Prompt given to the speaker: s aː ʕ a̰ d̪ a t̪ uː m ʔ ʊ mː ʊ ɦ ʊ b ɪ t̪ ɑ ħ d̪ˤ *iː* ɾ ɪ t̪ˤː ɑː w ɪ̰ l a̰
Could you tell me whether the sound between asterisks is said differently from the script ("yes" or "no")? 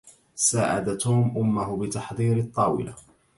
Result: no